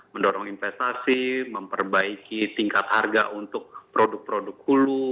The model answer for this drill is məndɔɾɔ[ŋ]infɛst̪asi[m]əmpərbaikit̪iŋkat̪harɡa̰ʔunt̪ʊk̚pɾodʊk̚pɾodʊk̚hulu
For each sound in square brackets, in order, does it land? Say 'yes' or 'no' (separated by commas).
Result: yes, yes